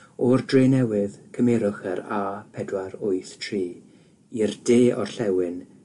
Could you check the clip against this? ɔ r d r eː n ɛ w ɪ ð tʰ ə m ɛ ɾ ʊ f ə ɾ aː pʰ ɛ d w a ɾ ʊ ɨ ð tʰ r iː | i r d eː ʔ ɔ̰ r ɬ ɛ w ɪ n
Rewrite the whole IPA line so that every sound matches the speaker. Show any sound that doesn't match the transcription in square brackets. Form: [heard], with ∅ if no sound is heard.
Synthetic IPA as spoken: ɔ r d r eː n ɛ w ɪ ð [kʰ] ə m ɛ ɾ ʊ [χ] ə ɾ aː pʰ ɛ d w a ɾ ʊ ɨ [θ] tʰ r iː | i r d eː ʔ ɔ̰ r ɬ ɛ w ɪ n